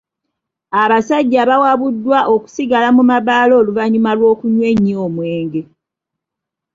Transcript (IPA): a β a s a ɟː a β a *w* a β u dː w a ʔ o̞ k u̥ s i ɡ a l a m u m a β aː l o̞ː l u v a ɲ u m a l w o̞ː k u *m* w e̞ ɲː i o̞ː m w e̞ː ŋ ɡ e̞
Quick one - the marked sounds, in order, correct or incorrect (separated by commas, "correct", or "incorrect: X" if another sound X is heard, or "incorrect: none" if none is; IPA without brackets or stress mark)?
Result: correct, incorrect: ɲ